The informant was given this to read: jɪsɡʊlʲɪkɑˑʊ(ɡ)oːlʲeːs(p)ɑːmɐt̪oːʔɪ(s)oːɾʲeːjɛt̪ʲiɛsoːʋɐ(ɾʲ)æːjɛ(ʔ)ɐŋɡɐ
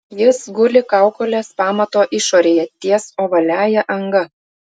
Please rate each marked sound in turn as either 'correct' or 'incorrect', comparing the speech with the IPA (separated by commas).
incorrect, correct, incorrect, incorrect, correct